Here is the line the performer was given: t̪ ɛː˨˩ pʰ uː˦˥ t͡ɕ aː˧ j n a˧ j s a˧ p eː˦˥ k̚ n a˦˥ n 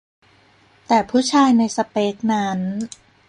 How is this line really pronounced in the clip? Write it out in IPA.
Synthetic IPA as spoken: t̪ ɛː˨˩ pʰ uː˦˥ t͡ɕʰ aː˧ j n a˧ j s a˧ p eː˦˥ k̚ n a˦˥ n